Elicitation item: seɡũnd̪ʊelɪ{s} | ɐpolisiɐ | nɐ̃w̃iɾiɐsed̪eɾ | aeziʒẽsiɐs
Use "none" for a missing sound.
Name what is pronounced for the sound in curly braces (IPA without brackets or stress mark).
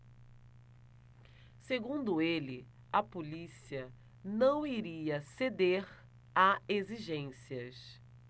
none